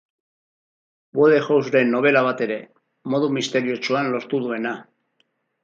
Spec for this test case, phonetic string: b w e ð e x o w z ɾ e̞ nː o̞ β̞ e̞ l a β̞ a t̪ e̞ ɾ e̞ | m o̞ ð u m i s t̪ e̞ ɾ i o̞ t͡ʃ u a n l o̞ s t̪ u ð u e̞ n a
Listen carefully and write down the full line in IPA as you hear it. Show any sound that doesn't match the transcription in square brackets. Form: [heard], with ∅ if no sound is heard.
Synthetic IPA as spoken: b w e ð e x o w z ɾ e̞ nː o̞ β̞ e̞ l a β̞ a t̪ e̞ ɾ e̞ | m o̞ ð u m i s t̪ e̞ ɾ i o̞ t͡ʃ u a n l o̞ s t̪ u ð u e̞ n a